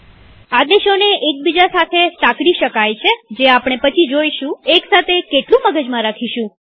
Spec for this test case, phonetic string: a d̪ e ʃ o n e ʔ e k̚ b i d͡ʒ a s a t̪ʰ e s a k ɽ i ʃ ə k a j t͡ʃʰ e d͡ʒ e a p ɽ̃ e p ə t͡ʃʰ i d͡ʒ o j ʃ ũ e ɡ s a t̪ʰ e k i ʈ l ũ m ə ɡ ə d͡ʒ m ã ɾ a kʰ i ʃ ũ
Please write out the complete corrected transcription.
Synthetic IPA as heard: a d̪ e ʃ o n e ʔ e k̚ b i d͡ʒ a s a t̪ʰ e s a k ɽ i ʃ ə k a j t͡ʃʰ e d͡ʒ e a p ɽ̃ e p ə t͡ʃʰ i d͡ʒ o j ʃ ũ e k s a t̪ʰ e k e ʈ l ũ m ə ɡ ə d͡ʒ m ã ɾ a kʰ i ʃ ũ